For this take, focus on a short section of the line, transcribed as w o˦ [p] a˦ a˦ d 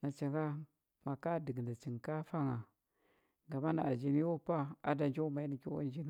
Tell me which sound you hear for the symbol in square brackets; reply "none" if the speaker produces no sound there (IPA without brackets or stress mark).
p